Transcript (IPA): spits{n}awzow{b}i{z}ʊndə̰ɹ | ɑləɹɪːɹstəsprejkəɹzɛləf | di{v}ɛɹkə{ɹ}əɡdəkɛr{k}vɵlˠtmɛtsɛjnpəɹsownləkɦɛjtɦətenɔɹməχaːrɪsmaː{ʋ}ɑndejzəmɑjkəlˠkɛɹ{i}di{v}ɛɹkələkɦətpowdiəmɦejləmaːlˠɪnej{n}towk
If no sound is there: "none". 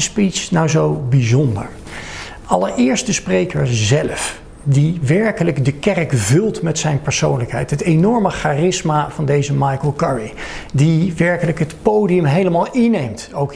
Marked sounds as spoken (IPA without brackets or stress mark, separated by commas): n, b, z, ʋ, l, k, v, i, ʋ, m